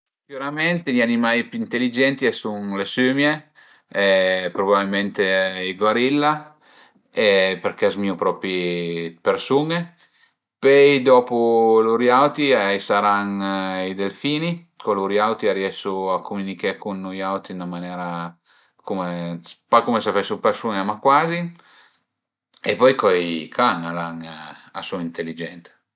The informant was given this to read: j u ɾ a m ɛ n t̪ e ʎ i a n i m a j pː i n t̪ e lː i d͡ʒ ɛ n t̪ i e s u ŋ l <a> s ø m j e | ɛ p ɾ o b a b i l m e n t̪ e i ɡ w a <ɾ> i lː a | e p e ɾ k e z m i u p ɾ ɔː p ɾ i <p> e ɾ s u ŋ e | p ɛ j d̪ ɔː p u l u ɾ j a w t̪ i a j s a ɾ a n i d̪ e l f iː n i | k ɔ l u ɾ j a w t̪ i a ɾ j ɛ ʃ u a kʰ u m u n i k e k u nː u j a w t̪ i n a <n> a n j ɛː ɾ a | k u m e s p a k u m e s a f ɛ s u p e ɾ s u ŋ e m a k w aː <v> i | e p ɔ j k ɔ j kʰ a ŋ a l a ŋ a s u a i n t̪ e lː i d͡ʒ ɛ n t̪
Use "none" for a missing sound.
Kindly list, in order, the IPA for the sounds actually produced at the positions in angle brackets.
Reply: e, ɾ, p, m, z

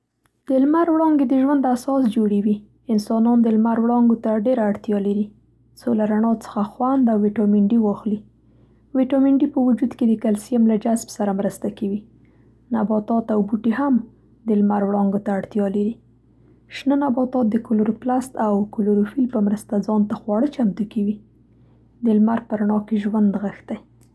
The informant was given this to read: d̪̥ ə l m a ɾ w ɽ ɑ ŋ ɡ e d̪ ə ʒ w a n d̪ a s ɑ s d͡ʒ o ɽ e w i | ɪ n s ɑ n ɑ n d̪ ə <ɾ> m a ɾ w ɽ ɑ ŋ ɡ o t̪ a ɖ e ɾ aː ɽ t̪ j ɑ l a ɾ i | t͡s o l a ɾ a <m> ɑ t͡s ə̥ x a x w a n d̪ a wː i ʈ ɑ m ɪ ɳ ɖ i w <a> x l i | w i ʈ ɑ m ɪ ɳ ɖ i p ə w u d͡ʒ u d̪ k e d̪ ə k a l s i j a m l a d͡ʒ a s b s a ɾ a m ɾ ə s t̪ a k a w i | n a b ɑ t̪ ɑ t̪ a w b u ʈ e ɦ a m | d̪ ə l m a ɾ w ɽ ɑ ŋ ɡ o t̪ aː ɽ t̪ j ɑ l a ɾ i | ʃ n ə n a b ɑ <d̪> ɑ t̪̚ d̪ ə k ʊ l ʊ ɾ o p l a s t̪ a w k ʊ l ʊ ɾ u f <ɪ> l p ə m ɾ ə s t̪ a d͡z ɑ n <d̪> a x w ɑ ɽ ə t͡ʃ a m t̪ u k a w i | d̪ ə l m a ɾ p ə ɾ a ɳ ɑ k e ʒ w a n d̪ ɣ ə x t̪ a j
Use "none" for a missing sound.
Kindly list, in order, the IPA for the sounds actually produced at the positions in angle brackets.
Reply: l, ɳ, ɑ, t̪, i, t̪

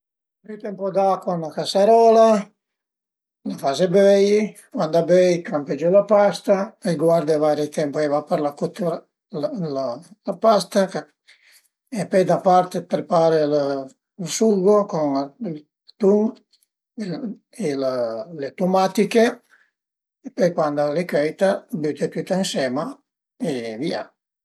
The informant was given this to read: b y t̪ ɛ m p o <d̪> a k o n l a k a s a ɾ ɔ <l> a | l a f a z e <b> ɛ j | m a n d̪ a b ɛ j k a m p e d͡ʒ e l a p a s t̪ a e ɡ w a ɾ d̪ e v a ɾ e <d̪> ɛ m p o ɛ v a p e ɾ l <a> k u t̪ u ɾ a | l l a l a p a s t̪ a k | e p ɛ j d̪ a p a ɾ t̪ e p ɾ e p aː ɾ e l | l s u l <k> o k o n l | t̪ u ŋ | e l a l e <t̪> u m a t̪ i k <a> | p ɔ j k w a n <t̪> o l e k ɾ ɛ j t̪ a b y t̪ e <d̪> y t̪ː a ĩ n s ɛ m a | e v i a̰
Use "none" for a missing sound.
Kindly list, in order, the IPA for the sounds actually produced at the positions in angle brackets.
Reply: d̪, l, b, t̪, a, ɡ, t̪, e, d̪, t̪

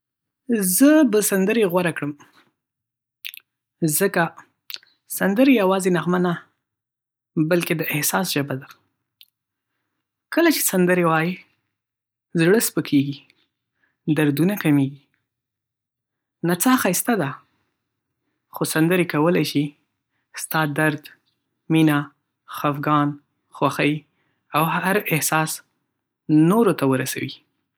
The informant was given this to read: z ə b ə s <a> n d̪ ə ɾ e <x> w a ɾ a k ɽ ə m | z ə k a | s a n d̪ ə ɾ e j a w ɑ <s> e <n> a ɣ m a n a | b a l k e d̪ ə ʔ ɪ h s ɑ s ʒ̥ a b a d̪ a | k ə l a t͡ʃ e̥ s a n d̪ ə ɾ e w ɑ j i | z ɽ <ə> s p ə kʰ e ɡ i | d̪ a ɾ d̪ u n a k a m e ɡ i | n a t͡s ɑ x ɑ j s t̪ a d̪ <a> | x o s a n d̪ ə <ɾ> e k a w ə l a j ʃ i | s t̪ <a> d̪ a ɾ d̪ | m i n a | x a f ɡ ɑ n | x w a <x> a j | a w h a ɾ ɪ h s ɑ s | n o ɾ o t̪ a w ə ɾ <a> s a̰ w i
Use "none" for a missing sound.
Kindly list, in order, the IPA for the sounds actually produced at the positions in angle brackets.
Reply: a, ɣ, z, n, ə, a, ɾ, ɑ, x, a

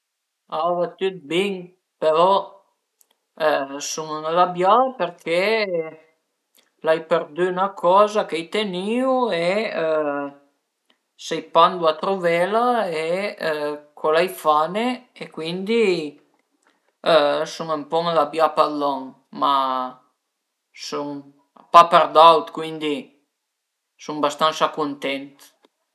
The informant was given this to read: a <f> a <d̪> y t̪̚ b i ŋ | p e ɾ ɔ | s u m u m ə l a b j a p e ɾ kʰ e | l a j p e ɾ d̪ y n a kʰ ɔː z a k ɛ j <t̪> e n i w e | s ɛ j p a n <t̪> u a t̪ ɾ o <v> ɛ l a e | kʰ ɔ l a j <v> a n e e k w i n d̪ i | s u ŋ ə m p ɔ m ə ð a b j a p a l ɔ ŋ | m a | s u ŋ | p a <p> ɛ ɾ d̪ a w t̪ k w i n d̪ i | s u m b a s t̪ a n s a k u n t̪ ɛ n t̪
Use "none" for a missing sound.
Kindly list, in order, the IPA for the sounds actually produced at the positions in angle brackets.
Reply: v, t̪, t̪, d̪, v, f, p

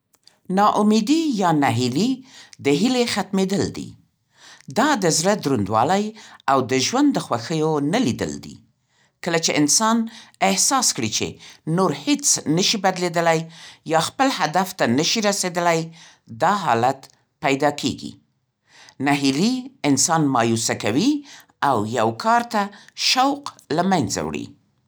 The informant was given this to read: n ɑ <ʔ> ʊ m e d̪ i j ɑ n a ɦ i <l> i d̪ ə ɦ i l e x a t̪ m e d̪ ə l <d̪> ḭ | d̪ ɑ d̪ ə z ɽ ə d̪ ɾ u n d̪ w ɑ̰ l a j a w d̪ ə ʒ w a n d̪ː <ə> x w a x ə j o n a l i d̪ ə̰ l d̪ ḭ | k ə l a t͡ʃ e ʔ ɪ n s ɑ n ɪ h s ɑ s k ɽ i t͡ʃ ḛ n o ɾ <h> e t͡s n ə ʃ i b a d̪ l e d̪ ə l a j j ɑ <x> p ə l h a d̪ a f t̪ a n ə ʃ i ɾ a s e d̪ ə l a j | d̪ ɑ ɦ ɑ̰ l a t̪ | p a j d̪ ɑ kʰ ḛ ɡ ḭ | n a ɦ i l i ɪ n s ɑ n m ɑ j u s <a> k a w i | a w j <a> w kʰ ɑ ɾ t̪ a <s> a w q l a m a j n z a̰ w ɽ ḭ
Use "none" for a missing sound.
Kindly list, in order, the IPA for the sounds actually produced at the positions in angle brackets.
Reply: ʔ, l, d̪, ə, h, x, a, a, ʃ

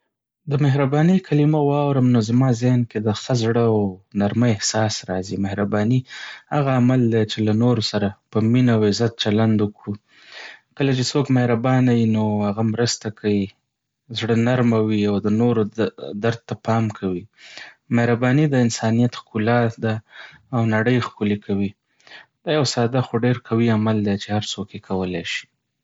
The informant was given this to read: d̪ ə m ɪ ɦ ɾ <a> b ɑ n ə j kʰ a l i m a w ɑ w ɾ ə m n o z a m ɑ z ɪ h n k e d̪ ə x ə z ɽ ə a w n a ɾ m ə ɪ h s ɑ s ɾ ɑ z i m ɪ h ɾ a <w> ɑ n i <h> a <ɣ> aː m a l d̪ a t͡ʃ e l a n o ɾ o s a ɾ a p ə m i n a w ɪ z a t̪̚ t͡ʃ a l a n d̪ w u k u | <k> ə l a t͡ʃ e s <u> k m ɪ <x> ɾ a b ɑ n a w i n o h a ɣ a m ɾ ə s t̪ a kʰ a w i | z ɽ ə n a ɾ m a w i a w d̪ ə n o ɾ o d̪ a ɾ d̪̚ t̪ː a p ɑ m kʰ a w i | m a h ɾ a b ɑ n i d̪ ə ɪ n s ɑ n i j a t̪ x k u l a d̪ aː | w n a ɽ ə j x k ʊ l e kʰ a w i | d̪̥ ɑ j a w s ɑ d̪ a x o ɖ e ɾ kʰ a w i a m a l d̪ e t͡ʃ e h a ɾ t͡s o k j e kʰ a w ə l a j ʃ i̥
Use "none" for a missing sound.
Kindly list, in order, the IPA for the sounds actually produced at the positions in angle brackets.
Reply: a, b, h, ɣ, k, o, h

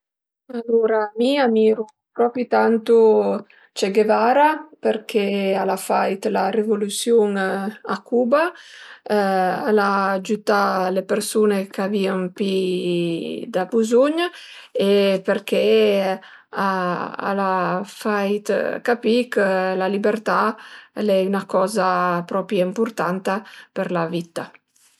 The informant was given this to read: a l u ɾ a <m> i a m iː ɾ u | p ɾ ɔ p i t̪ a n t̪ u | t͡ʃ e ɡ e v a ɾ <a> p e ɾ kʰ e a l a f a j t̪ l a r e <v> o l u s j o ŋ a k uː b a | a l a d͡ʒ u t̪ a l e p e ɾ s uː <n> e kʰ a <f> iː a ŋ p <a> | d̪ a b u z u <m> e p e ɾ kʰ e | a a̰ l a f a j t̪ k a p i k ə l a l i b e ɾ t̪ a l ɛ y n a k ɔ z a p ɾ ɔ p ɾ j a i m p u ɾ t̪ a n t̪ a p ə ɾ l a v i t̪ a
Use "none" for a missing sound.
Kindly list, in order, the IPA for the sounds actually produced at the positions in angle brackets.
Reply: m, a, v, n, v, i, ɲ

